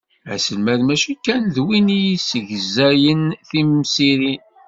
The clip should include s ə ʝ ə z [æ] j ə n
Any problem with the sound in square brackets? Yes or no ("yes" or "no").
no